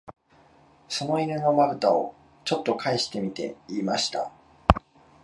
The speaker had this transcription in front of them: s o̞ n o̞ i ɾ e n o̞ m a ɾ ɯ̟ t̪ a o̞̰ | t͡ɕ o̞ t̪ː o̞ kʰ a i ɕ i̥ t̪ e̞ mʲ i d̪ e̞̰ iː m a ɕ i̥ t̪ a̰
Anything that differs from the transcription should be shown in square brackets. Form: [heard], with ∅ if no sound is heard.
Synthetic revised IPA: s o̞ n o̞ i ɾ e n o̞ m a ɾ ɯ̟ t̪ a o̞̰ | t͡ɕ o̞ t̪ː o̞ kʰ a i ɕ i̥ t̪ e̞ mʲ i [t̪] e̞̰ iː m a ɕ i̥ t̪ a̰